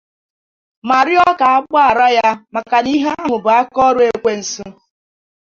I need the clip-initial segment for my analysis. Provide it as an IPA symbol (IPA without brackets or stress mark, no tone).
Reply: m